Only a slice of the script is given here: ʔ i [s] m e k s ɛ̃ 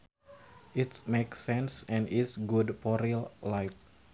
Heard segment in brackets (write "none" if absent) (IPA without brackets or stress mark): t